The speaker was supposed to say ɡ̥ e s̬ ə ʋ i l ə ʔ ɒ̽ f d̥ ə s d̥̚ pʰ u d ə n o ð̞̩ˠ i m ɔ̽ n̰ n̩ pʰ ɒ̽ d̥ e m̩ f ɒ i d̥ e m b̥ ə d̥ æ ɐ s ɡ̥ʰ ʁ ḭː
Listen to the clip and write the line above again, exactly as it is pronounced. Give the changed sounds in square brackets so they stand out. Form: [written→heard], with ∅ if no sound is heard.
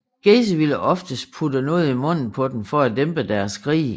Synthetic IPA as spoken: ɡ̥ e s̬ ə ʋ i l ə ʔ ɒ̽ f d̥ ə s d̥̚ pʰ u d ə n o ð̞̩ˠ i m ɔ̽ n̰ n̩ pʰ ɒ̽ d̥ e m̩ f ɒ [i→æ] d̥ e m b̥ ə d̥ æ ɐ s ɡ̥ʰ ʁ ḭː

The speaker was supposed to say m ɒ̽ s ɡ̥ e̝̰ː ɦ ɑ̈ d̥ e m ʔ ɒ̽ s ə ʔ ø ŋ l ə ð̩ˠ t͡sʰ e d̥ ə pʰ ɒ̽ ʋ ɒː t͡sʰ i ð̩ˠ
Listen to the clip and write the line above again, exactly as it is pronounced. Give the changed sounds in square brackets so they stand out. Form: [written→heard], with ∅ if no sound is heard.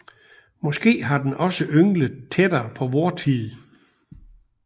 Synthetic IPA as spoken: m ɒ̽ s ɡ̥ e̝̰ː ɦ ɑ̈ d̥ e [m→n] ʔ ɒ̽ s ə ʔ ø ŋ l ə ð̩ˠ t͡sʰ e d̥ [ə→ɐ] pʰ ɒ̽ ʋ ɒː t͡sʰ i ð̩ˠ

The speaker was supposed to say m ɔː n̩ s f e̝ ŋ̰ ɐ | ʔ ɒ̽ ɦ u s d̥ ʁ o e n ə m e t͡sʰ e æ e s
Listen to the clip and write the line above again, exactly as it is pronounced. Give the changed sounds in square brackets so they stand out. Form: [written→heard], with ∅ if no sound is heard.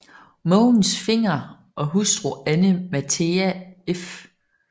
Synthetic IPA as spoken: m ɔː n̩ s f e̝ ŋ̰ ɐ | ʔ ɒ̽ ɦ u s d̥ ʁ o [e→æ] n ə m [e→æ] t͡sʰ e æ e [s→f]

